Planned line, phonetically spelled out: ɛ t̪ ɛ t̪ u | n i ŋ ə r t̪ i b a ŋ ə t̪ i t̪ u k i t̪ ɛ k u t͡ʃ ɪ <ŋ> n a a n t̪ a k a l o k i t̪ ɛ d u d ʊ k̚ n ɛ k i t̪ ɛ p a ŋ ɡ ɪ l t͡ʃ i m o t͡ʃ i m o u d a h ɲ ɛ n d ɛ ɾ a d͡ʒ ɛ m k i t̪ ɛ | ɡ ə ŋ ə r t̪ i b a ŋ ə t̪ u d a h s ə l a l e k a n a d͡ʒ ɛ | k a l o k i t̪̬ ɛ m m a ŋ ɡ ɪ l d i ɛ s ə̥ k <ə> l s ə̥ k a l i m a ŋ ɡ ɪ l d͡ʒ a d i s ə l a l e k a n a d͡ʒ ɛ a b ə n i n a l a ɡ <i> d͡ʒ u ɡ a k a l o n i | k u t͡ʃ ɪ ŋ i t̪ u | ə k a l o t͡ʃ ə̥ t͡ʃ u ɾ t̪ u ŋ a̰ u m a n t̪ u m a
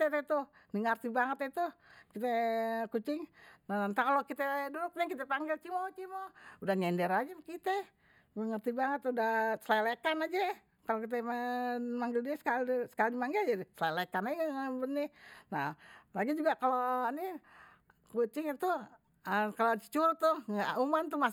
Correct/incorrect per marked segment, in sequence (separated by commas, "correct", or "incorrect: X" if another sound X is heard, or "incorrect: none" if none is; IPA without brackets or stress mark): correct, incorrect: a, correct